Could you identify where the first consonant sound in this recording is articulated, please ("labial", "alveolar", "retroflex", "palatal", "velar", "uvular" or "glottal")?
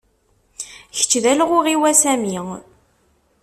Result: palatal